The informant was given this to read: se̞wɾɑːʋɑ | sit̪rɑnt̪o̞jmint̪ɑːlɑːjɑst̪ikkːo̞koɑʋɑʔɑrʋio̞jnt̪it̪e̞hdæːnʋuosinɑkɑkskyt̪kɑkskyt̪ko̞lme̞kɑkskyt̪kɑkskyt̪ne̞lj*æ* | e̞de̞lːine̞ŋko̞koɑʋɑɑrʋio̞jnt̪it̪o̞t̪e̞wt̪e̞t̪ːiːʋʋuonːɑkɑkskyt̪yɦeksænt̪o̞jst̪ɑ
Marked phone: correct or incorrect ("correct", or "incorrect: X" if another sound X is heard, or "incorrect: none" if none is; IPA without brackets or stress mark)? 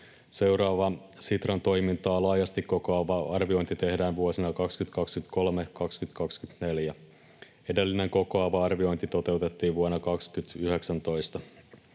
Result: correct